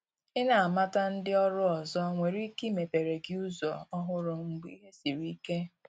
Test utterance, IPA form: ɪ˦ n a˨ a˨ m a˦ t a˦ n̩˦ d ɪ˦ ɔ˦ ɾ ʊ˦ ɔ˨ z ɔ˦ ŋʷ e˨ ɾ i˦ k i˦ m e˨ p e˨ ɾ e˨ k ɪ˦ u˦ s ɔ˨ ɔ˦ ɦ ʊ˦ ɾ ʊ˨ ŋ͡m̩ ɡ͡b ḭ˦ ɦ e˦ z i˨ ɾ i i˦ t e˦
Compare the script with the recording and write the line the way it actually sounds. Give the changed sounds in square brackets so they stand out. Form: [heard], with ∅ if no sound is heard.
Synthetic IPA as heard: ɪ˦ n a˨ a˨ m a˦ t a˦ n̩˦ d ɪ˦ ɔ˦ ɾ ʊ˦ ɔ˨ z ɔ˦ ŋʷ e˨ ɾ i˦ k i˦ m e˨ p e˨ ɾ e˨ [ɡ] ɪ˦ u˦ [z] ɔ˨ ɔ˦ ɦ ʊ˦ ɾ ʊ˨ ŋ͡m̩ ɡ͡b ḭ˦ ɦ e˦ [s] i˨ ɾ i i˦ [k] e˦